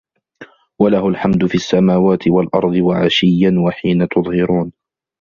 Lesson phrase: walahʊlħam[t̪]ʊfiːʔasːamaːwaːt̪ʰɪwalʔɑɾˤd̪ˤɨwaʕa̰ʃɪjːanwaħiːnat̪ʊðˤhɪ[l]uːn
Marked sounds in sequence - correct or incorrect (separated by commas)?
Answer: incorrect, incorrect